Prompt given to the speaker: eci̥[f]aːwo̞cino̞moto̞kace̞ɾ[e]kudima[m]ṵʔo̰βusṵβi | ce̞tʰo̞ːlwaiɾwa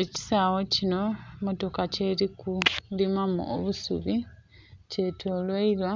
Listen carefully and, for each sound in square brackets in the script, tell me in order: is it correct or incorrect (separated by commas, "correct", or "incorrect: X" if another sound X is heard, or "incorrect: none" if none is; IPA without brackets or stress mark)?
incorrect: s, incorrect: i, correct